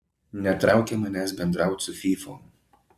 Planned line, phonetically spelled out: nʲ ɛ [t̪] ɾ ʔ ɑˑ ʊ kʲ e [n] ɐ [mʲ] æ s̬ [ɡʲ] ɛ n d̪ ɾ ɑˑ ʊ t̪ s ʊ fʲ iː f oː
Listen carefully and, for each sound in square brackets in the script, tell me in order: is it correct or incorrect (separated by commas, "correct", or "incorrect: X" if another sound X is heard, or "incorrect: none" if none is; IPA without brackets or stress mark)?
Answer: correct, incorrect: m, incorrect: nʲ, incorrect: bʲ